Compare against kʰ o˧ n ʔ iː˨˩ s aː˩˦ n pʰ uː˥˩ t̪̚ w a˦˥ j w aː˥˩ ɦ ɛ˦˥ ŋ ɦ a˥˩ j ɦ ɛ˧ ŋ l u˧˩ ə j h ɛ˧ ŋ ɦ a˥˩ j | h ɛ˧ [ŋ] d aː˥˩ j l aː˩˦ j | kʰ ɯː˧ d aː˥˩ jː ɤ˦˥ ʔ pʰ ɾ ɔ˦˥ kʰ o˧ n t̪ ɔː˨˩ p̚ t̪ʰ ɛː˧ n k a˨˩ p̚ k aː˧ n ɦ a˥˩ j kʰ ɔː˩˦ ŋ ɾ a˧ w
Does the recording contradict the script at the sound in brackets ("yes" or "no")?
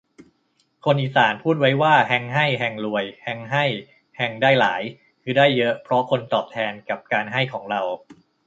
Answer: no